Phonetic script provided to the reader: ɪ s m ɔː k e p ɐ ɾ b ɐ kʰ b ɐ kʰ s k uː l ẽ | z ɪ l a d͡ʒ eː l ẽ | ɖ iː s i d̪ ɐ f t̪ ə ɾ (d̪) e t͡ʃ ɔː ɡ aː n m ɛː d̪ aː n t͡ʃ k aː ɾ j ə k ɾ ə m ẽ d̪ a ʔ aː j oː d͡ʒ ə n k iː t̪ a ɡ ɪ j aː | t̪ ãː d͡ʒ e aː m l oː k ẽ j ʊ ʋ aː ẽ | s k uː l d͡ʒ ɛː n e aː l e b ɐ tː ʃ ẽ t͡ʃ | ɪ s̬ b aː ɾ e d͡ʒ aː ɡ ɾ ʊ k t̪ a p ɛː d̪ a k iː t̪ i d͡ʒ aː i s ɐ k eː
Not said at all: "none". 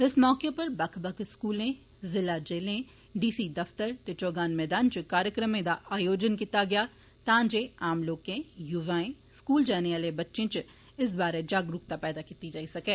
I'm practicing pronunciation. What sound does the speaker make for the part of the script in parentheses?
t̪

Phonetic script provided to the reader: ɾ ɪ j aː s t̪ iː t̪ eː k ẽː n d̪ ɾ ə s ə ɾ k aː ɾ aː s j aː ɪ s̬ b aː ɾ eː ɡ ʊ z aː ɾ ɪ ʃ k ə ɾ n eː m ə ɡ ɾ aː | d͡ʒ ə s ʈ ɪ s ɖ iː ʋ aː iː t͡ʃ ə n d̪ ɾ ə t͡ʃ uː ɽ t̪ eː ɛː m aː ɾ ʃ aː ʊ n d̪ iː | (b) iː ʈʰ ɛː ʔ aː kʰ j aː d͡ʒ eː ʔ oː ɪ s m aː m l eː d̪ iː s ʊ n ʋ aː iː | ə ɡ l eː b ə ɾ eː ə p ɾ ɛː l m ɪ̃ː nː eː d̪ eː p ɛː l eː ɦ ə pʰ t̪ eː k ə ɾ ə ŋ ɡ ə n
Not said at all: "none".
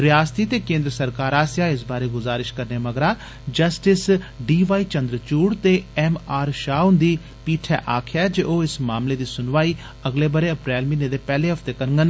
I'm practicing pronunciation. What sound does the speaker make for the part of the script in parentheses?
p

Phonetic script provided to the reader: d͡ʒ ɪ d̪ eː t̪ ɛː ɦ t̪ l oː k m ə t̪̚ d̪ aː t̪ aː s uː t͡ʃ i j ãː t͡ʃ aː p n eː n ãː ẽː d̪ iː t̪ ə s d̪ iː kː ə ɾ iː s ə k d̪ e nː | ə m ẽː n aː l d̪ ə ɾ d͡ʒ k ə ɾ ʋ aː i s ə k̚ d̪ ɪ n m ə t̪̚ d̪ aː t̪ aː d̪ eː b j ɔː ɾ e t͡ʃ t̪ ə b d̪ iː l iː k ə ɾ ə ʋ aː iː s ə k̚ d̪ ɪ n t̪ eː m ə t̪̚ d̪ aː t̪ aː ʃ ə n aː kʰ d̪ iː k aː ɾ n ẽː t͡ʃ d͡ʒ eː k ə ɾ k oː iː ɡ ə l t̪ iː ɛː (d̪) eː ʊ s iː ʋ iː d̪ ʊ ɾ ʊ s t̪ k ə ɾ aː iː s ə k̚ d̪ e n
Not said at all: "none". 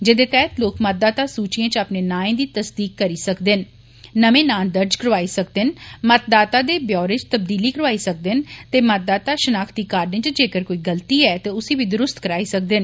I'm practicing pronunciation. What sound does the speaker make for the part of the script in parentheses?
t̪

